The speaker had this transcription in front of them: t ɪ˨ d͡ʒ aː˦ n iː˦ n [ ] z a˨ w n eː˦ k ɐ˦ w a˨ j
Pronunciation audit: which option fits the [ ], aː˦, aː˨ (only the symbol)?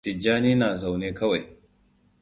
aː˨